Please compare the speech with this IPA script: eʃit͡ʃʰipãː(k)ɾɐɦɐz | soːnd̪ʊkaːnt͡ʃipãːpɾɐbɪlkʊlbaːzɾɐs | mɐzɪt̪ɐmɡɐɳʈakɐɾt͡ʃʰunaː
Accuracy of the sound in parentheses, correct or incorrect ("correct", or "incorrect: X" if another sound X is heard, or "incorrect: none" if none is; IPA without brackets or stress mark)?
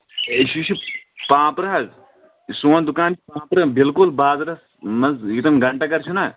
incorrect: p